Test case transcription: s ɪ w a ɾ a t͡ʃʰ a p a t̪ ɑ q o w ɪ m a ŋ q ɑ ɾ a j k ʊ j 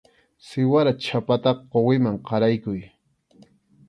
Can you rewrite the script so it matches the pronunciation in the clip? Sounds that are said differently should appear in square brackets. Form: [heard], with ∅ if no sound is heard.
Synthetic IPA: s ɪ w a ɾ a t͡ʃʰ a p a t̪ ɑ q o w ɪ m a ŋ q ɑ ɾ a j k ʊ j